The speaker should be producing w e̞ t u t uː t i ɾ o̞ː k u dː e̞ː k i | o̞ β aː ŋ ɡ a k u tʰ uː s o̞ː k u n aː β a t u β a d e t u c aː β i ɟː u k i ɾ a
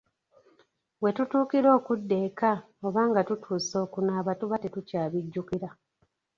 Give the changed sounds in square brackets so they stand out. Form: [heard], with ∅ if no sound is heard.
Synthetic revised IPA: w e̞ t u t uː [k] i ɾ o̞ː k u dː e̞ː k [a] | o̞ β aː ŋ ɡ a [t] u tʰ uː s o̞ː k u n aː β a t u β a [t] e t u c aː β i ɟː u k i ɾ a